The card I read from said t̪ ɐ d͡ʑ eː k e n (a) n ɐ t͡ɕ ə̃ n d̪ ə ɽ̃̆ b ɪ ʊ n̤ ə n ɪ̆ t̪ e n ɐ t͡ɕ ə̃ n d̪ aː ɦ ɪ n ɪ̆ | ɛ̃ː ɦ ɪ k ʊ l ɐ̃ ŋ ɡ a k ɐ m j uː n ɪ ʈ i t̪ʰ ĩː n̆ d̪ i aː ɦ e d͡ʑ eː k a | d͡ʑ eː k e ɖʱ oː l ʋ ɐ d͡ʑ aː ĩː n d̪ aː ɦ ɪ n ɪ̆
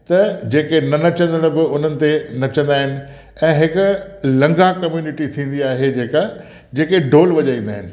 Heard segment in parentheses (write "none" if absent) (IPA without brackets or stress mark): ɐ